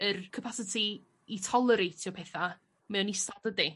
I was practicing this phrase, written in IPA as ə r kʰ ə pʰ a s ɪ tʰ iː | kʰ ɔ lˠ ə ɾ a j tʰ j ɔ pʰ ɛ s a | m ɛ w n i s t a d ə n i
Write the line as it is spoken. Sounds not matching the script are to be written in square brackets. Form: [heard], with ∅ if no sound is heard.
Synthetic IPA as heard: ə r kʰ ə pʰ a s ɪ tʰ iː | [tʰ] ɔ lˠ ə ɾ [e] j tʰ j ɔ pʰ ɛ [θ] a | m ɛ w n i s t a d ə [d] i